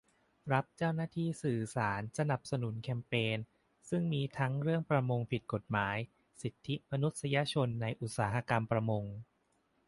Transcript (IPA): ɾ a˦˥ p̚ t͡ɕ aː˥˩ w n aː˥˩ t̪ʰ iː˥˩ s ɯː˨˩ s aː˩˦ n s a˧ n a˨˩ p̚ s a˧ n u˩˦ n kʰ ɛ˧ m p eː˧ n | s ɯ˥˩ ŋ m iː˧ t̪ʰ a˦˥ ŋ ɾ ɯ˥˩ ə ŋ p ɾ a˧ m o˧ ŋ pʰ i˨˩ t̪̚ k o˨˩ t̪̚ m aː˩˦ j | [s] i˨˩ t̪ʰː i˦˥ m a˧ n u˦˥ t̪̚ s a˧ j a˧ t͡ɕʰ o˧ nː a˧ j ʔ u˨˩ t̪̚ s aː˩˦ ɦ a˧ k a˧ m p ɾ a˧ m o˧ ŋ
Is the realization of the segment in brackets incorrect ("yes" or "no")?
no